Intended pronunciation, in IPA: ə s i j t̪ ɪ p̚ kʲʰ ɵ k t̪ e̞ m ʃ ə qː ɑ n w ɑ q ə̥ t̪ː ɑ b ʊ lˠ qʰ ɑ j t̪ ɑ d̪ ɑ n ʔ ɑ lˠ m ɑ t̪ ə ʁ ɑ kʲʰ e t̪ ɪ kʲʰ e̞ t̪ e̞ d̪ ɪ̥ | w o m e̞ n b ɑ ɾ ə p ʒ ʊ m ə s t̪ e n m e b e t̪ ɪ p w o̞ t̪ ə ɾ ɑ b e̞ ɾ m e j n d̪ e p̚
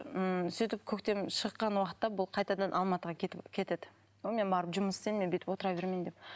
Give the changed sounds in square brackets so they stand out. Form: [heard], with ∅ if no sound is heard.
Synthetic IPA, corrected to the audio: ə s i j t̪ ɪ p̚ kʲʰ ɵ k t̪ e̞ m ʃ ə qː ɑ n w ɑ q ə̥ t̪ː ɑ b ʊ lˠ qʰ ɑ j t̪ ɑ d̪ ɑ n ʔ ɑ lˠ m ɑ t̪ ə ʁ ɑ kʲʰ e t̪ ɪ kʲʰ e̞ t̪ e̞ d̪ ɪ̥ | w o m e̞ n b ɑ ɾ ə p ʒ ʊ m ə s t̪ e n m e b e t̪ ɪ p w o̞ t̪ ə ɾ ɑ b e̞ ɾ m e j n d̪ e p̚